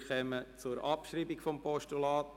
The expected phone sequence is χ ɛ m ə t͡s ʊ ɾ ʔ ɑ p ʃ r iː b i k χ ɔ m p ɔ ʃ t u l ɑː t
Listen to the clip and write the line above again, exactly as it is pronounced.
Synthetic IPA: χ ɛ m ə t͡s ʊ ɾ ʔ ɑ p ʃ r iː b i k f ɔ m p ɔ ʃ t u l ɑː t